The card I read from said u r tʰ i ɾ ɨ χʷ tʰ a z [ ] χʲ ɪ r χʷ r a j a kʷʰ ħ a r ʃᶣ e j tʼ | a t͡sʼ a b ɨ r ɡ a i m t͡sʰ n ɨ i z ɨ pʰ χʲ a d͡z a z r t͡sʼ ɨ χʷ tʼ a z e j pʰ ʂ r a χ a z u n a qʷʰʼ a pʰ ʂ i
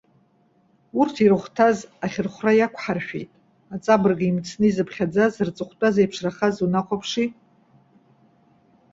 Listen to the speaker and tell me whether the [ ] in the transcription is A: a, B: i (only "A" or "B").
A